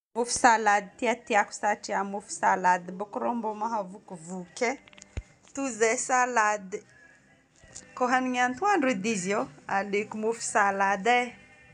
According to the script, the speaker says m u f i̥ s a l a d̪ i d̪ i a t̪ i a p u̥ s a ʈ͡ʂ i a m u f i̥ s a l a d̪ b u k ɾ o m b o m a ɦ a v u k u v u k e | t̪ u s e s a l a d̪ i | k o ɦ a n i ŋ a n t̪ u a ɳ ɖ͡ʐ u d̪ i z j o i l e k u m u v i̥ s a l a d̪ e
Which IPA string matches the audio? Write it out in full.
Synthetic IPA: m u f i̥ s a l a d̪ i t̪ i a t̪ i a k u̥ s a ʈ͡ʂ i a m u f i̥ s a l a d̪ b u k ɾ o m b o m a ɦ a v u k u v u k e | t̪ u z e s a l a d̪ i | k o ɦ a n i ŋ a n t̪ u a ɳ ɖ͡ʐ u d̪ i z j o a l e k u m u f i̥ s a l a d̪ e